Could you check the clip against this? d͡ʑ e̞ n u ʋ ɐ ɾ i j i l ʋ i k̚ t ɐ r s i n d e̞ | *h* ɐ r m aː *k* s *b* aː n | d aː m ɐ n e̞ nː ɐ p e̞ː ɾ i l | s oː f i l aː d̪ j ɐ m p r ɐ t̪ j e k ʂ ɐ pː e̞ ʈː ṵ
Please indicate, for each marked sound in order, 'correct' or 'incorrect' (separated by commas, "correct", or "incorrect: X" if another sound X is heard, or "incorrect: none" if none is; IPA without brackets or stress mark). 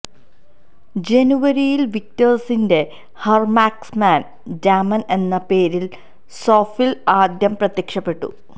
correct, correct, incorrect: m